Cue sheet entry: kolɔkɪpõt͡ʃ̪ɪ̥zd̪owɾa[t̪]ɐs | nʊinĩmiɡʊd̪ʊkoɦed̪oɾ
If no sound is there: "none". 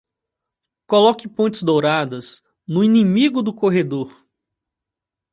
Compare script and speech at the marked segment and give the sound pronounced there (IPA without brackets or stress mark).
d̪